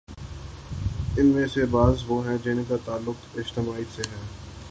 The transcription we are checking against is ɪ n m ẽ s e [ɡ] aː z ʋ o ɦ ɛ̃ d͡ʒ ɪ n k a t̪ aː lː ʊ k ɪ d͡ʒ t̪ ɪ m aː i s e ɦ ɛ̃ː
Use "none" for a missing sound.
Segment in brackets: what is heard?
b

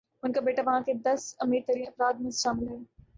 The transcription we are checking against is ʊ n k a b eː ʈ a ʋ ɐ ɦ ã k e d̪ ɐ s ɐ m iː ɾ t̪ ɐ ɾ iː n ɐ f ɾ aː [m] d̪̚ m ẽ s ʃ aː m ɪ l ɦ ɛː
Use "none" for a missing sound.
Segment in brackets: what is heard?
none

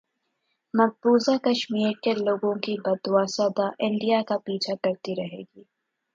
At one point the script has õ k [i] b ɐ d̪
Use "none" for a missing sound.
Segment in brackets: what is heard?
i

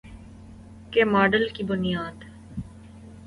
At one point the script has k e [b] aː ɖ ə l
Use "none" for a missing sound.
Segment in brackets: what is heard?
m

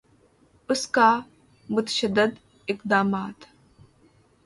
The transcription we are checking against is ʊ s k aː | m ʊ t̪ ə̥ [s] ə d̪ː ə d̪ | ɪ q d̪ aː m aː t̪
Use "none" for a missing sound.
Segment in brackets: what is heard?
ʃ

